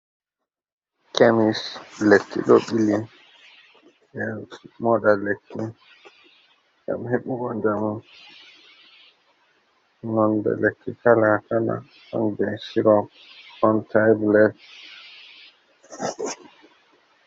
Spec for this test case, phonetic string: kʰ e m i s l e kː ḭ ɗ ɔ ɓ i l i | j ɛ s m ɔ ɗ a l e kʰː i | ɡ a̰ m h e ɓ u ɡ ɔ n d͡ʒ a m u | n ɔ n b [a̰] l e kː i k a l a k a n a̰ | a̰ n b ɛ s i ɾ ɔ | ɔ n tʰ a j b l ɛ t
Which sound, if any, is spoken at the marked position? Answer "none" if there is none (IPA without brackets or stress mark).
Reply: ɛ̰